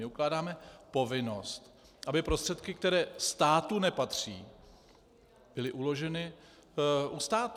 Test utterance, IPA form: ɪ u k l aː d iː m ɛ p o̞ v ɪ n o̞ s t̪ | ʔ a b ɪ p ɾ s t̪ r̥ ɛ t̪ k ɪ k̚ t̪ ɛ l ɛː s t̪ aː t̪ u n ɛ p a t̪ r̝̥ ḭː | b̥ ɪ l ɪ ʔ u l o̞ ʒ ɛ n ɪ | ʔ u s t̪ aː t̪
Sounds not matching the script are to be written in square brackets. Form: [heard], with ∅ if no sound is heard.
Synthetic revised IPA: ɪ u k l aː d [aː] m ɛ p o̞ v ɪ n o̞ s t̪ | ʔ a b ɪ p ɾ s t̪ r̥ ɛ t̪ k ɪ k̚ t̪ ɛ [ɾ] ɛː s t̪ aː t̪ u n ɛ p a t̪ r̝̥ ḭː | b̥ ɪ l ɪ ʔ u l o̞ ʒ ɛ n ɪ | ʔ u s t̪ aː t̪

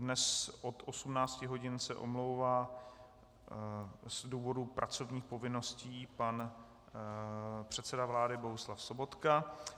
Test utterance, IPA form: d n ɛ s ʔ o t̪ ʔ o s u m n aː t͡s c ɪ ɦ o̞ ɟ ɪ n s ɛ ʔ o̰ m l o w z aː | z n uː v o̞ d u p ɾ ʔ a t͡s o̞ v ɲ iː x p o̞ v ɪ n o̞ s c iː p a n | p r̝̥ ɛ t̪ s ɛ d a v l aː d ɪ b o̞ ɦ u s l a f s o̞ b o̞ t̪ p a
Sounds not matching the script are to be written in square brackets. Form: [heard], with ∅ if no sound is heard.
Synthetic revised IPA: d n ɛ s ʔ o t̪ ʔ o s u m n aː t͡s c ɪ ɦ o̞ ɟ ɪ n s ɛ ʔ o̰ m l o w [v] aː | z [d] uː v o̞ d u p ɾ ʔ a t͡s o̞ v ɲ iː x p o̞ v ɪ n o̞ s c iː p a n | p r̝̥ ɛ t̪ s ɛ d a v l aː d ɪ b o̞ ɦ u s l a f s o̞ b o̞ t̪ [k] a

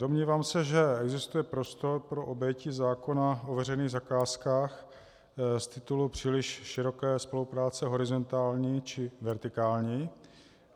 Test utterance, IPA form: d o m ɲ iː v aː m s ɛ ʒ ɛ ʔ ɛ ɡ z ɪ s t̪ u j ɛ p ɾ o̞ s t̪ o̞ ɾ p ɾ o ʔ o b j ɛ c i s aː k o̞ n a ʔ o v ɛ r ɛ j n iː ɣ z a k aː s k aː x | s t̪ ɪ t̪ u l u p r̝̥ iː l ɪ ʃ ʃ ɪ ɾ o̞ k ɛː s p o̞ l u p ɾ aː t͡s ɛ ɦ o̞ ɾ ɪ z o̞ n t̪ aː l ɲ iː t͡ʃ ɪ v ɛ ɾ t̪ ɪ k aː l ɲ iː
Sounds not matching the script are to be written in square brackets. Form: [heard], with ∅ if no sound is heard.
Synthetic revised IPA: d o m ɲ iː v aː m s ɛ ʒ ɛ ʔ ɛ ɡ z ɪ s t̪ u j ɛ p ɾ o̞ s t̪ o̞ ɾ p ɾ o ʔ o b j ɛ c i [z] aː k o̞ n a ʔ o v ɛ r ɛ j n iː ɣ z a k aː s k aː x | s t̪ ɪ t̪ u l u p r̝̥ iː l ɪ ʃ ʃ ɪ ɾ o̞ k ɛː s p o̞ l u p ɾ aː t͡s ɛ ɦ o̞ ɾ ɪ z o̞ n t̪ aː l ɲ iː t͡ʃ ɪ v ɛ ɾ t̪ ɪ k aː l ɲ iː

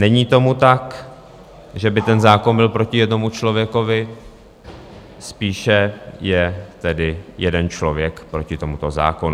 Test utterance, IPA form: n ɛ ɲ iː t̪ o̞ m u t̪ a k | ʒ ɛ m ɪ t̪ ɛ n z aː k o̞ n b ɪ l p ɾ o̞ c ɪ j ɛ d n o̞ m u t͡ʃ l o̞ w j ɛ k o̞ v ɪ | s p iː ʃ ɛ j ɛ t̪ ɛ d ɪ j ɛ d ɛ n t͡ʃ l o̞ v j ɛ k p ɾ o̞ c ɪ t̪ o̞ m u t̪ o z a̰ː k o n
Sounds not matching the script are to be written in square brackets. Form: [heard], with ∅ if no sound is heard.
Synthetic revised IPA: n ɛ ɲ iː t̪ o̞ m u t̪ a k | ʒ ɛ [b] ɪ t̪ ɛ n z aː k o̞ n b ɪ l p ɾ o̞ c ɪ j ɛ d n o̞ m u t͡ʃ l o̞ [v] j ɛ k o̞ v ɪ | s p iː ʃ ɛ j ɛ t̪ ɛ d ɪ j ɛ d ɛ n t͡ʃ l o̞ v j ɛ k p ɾ o̞ c ɪ t̪ o̞ m u t̪ o z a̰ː k o n

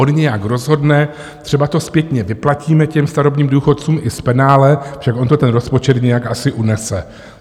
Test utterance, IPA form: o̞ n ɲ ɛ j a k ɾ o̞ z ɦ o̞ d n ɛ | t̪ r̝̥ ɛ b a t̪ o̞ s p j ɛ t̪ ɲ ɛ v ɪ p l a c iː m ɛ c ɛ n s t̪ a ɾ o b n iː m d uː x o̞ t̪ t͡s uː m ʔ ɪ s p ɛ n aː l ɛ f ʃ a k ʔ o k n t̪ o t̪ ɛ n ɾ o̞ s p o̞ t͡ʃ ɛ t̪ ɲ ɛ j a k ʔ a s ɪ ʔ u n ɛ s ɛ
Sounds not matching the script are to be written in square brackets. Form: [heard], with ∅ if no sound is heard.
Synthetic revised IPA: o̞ n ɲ ɛ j a k ɾ o̞ z ɦ o̞ d n ɛ | t̪ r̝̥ ɛ b a t̪ o̞ s p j ɛ t̪ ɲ ɛ v ɪ p l a c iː m ɛ c ɛ [m] s t̪ a ɾ o b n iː m d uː x o̞ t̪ t͡s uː m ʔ ɪ s p ɛ n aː l ɛ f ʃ a k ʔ o [∅] n t̪ o t̪ ɛ n ɾ o̞ s p o̞ t͡ʃ ɛ t̪ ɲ ɛ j a k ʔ a s ɪ ʔ u n ɛ s ɛ

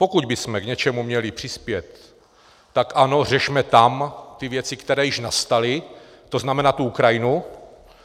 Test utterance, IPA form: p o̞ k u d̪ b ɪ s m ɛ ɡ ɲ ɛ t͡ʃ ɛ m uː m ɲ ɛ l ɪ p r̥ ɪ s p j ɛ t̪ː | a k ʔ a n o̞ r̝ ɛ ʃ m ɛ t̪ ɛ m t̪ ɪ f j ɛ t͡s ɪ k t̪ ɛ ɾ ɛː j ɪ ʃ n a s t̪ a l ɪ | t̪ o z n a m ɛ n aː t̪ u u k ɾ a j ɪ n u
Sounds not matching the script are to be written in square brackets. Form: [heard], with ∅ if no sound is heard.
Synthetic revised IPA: p o̞ k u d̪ b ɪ s m ɛ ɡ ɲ ɛ t͡ʃ ɛ m [u] m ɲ ɛ l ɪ p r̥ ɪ s p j ɛ t̪ː | a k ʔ a n o̞ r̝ ɛ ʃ m ɛ t̪ [a] m t̪ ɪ [v] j ɛ t͡s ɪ k t̪ ɛ ɾ ɛː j ɪ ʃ n a s t̪ a l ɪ | t̪ o z n a m ɛ n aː t̪ u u k ɾ a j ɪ n u

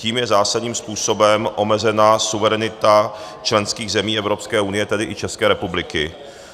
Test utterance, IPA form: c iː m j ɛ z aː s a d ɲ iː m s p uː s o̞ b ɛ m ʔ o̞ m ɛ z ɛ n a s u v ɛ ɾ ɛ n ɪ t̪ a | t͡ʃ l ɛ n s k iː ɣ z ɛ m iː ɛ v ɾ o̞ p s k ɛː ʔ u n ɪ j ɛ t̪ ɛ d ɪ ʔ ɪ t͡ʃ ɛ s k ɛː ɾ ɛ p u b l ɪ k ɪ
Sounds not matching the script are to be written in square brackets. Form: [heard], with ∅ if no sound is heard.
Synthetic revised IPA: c iː m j ɛ z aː s a d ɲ iː m s p uː s o̞ b ɛ m ʔ o̞ m ɛ z ɛ n a s u v ɛ ɾ ɛ n ɪ t̪ a | t͡ʃ l ɛ n s k iː ɣ z ɛ m iː ɛ v ɾ o̞ p s k ɛː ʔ u n ɪ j ɛ t̪ ɛ d ɪ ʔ ɪ t͡ʃ ɛ s k ɛː ɾ ɛ p u b l ɪ k ɪ

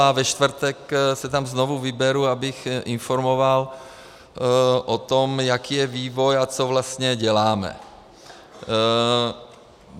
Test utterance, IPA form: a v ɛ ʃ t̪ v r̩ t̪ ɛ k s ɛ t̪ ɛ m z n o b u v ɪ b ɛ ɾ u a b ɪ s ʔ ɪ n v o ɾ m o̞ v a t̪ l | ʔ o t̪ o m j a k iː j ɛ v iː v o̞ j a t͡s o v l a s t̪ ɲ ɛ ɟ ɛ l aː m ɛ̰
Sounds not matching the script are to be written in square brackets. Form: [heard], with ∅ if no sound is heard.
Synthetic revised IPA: a v ɛ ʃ t̪ v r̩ t̪ ɛ k s ɛ t̪ [a] m z n o [v] u v ɪ b ɛ ɾ u a b ɪ [x] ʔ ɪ n [f] o ɾ m o̞ v a [∅] l | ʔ o t̪ o m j a k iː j ɛ v iː v o̞ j a t͡s o v l a s t̪ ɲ ɛ ɟ ɛ l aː m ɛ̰

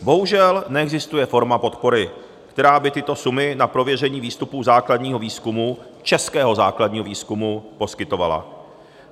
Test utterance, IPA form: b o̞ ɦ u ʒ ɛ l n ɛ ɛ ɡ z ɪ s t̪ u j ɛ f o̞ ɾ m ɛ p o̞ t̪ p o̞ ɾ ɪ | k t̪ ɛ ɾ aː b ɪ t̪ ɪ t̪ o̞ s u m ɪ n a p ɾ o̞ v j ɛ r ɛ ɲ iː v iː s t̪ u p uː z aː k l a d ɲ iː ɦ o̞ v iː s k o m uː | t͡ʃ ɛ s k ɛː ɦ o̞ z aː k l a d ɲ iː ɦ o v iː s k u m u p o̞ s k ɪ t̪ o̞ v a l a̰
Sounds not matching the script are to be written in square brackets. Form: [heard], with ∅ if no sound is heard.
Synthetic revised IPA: b o̞ ɦ u ʒ ɛ l n ɛ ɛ ɡ z ɪ s t̪ u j ɛ f o̞ ɾ m [a] p o̞ t̪ p o̞ ɾ ɪ | k t̪ ɛ ɾ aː b ɪ t̪ ɪ t̪ o̞ s u m ɪ n a p ɾ o̞ v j ɛ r ɛ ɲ iː v iː s t̪ u p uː z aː k l a d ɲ iː ɦ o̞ v iː s k [u] m [u] | t͡ʃ ɛ s k ɛː ɦ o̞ z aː k l a d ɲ iː ɦ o v iː s k u m u p o̞ s k ɪ t̪ o̞ v a l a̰

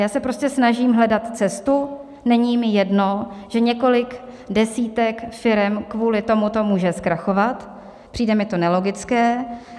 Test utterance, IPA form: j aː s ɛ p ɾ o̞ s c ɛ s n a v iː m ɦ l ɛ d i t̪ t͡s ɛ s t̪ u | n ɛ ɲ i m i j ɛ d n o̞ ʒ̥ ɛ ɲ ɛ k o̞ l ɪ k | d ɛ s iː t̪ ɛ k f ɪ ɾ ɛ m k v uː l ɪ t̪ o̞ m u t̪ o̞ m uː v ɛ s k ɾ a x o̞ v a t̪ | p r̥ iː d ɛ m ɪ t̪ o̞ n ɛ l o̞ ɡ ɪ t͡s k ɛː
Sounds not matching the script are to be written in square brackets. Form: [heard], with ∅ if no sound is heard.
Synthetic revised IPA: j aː s ɛ p ɾ o̞ s c ɛ s n a [ʒ] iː m ɦ l ɛ d [a] t̪ t͡s ɛ s t̪ u | n ɛ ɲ i m [ɪ] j ɛ d n o̞ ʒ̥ ɛ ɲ ɛ k o̞ l ɪ k | d ɛ s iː t̪ ɛ k f ɪ ɾ ɛ m k v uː l ɪ t̪ o̞ m u t̪ o̞ m uː [ʒ] ɛ s k ɾ a x o̞ v a t̪ | p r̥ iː d ɛ m ɪ t̪ o̞ n ɛ l o̞ ɡ ɪ t͡s k ɛː

